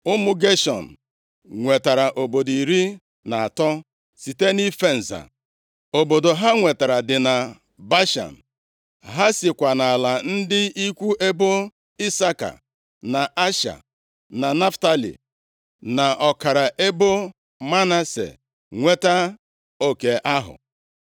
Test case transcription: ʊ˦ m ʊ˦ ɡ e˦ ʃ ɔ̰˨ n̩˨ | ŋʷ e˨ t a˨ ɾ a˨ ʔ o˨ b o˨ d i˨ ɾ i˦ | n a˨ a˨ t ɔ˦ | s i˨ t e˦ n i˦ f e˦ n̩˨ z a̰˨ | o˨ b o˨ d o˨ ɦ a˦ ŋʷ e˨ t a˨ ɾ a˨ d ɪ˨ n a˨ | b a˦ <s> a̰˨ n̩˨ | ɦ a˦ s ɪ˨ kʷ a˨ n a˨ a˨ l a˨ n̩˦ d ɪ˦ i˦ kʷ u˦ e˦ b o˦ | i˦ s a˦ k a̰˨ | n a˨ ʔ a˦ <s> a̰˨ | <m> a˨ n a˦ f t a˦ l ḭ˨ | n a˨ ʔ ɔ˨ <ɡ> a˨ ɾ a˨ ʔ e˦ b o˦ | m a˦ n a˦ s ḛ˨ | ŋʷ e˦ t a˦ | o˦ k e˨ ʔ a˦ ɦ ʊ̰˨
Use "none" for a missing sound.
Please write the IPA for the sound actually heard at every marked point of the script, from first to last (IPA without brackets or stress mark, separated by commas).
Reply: ʃ, ʃ, n, k